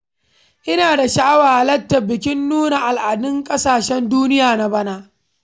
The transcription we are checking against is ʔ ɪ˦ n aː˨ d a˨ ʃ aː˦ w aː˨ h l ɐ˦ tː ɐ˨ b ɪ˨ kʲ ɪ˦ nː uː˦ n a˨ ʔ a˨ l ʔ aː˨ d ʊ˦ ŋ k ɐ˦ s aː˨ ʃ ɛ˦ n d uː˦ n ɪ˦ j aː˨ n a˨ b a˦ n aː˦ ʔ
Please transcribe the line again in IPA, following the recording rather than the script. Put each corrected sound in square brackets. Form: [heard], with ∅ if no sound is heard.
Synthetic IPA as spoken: ʔ ɪ˦ n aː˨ d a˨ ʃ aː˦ w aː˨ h l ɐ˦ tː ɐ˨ b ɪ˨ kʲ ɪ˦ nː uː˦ n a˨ ʔ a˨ l ʔ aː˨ d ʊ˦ ŋ [kʼ] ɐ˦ s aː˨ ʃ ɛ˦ n d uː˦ n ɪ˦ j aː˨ n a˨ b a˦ n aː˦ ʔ